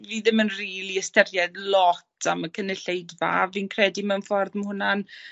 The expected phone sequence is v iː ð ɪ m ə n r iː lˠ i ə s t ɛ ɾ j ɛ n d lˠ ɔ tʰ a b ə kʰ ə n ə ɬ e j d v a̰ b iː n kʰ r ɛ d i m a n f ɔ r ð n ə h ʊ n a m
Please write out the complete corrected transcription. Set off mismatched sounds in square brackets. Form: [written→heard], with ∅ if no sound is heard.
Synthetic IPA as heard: v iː ð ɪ m ə n r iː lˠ i ə s t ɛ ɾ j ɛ [n→∅] d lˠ ɔ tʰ a [b→m] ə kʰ ə n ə ɬ e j d v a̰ [b→v] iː n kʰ r ɛ d i m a n f ɔ r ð [n→m] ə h ʊ n a [m→n]